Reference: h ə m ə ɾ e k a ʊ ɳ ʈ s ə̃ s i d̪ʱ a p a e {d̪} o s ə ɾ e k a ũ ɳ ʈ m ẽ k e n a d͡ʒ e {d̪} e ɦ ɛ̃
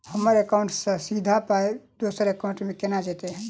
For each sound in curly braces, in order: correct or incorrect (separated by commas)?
correct, incorrect